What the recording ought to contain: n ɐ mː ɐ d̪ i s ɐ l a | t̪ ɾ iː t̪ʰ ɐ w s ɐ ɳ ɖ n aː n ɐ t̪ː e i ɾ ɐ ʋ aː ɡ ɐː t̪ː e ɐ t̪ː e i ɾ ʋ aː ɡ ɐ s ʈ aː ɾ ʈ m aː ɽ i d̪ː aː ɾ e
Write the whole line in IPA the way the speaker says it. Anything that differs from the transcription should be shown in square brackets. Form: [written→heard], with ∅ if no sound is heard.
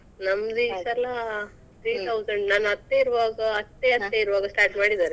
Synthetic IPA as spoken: n ɐ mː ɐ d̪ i s ɐ l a | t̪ ɾ iː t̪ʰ ɐ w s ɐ ɳ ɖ n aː n ɐ t̪ː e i ɾ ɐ ʋ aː ɡ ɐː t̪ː e ɐ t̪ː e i ɾ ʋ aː ɡ ɐ s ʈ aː ɾ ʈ m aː ɽ i [d̪ː→d̪] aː ɾ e

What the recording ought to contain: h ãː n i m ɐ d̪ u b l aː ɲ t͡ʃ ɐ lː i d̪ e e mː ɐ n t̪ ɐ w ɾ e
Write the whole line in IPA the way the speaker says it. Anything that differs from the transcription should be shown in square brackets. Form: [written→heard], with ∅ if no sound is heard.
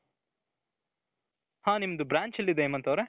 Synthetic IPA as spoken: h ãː n i m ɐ d̪ u b [l→ɾ] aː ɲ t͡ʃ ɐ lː i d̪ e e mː ɐ n t̪ ɐ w ɾ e

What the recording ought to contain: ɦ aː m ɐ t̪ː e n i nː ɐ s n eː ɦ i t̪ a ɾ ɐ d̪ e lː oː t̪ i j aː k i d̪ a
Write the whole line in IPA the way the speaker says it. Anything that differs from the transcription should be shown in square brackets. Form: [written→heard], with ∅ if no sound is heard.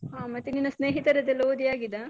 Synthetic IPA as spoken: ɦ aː m ɐ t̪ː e n i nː ɐ s n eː ɦ i t̪ [a→ɐ] ɾ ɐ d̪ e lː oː [t̪→d̪] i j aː [k→ɡ] i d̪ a

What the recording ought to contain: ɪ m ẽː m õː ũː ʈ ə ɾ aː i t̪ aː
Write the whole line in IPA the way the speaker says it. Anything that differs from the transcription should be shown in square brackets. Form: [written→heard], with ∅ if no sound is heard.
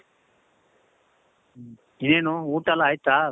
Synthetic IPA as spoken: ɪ [m→n] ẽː [m→n] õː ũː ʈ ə [ɾ→l] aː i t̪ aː

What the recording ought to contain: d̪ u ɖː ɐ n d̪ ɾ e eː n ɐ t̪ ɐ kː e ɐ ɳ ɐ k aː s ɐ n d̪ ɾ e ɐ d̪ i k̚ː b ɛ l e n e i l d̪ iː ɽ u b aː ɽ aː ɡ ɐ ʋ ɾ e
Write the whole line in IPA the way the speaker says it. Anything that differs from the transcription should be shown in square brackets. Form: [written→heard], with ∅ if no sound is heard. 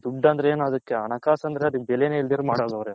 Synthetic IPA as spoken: d̪ u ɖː ɐ n d̪ ɾ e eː n ɐ [t̪→d̪] ɐ kː e ɐ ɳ ɐ k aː s ɐ n d̪ ɾ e ɐ d̪ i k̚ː b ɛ l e n e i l d̪ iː [ɽ→ɾ] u [b→m] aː ɽ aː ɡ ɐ ʋ ɾ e

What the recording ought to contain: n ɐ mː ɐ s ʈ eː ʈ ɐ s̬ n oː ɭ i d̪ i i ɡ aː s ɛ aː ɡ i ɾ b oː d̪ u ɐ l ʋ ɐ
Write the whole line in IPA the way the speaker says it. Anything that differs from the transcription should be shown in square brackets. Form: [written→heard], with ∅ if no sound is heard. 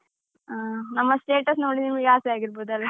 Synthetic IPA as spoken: n ɐ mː ɐ s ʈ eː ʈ ɐ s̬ n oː [ɭ→ɽ] i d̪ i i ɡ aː s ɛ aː ɡ i ɾ b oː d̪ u ɐ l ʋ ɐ

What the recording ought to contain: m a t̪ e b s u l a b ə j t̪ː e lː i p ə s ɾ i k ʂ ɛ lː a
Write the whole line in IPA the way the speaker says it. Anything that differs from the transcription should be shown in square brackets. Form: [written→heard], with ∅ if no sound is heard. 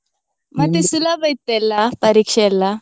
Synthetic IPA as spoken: m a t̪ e [b→∅] s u l a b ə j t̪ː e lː [i→a] p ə [s→∅] ɾ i k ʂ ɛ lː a

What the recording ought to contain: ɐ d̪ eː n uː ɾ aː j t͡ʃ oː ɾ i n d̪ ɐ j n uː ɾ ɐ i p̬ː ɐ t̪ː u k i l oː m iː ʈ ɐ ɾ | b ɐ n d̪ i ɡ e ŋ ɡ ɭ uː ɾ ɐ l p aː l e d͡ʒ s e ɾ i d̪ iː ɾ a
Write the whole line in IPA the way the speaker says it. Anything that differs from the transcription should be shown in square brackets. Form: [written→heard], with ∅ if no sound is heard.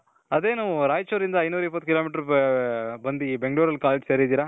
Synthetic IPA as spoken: ɐ d̪ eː n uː ɾ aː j t͡ʃ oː ɾ i n d̪ ɐ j n uː ɾ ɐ i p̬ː ɐ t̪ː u k i l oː m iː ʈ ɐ ɾ | b ɐ n d̪ i [ɡ→b] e ŋ ɡ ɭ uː ɾ ɐ l [p→k] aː l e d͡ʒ s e ɾ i d̪ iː ɾ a

